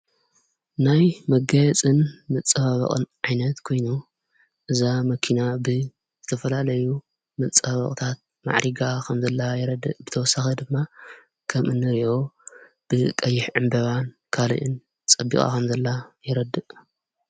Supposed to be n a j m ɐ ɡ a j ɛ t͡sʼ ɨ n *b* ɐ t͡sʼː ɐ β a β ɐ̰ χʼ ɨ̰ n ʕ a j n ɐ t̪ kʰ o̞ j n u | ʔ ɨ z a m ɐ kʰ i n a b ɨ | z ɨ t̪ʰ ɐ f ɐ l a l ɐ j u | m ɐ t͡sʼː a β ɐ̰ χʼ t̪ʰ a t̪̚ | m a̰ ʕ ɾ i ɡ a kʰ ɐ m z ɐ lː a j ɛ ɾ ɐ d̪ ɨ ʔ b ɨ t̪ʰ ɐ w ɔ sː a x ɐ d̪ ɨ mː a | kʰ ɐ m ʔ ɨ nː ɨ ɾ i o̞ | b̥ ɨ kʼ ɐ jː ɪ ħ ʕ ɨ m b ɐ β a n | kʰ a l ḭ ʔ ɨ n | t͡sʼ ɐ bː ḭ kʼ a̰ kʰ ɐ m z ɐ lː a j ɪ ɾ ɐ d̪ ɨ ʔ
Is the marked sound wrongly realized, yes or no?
yes